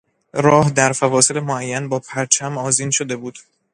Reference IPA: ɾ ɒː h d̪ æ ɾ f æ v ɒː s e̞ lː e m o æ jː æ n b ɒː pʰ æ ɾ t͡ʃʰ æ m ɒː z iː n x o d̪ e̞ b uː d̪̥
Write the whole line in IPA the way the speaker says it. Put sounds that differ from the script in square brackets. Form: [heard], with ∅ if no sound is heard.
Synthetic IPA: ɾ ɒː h d̪ æ ɾ f æ v ɒː s e̞ [l] e m o æ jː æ n b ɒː pʰ æ ɾ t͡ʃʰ æ m ɒː z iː n [ʃ] o d̪ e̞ b uː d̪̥